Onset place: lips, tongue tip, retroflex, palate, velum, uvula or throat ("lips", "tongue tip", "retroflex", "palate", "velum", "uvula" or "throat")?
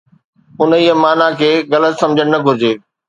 tongue tip